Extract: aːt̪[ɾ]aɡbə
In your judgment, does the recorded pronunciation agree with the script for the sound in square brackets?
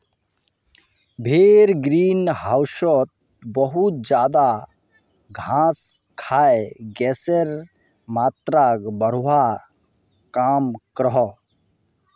yes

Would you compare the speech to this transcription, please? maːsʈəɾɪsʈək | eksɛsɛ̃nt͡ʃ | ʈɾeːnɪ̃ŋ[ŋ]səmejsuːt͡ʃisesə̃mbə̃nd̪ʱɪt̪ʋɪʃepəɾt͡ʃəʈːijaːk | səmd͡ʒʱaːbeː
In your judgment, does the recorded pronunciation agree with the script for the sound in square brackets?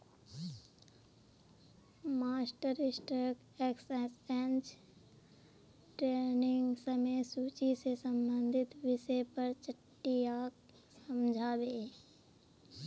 no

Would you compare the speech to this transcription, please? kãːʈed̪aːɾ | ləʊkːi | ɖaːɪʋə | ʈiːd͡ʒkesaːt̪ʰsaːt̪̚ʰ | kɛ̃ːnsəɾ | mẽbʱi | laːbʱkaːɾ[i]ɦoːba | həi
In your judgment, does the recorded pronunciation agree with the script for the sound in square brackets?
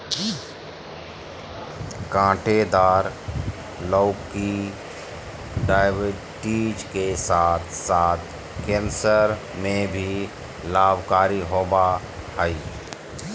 yes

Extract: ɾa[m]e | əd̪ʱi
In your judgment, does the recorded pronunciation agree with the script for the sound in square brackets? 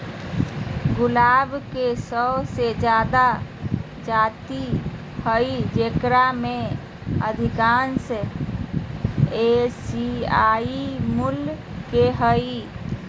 yes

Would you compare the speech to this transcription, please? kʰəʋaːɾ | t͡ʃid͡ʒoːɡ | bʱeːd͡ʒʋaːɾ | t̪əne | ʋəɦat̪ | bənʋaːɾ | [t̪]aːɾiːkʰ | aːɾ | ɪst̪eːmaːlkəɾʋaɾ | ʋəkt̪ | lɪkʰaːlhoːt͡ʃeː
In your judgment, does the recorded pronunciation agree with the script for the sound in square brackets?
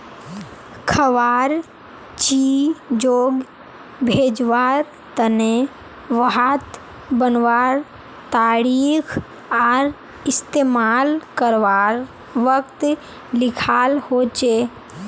yes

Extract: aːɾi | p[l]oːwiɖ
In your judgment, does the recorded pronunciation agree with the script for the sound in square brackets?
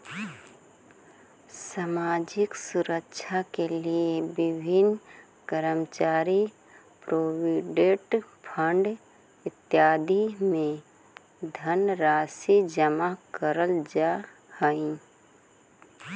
no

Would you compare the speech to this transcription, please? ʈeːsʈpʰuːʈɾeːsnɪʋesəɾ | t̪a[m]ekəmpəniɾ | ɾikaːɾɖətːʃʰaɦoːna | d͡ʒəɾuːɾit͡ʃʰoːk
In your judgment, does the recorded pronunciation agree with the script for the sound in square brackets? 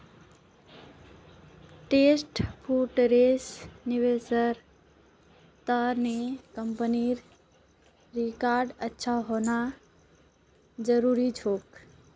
no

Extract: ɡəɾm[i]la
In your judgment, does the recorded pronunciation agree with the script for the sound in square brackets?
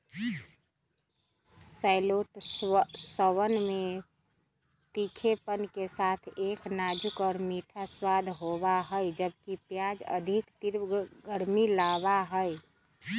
yes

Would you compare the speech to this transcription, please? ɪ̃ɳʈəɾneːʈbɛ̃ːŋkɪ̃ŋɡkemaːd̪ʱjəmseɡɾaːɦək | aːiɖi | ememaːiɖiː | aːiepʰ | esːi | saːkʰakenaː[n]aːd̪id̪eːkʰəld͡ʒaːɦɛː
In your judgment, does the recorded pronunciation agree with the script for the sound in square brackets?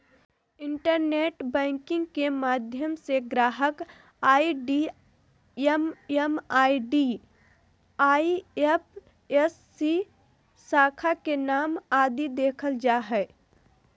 no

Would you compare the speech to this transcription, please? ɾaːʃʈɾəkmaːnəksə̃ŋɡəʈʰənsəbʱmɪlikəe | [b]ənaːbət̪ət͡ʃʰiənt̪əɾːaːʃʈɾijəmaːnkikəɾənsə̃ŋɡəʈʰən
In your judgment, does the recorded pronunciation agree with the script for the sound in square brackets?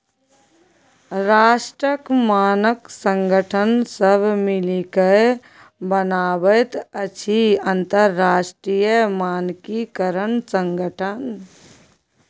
yes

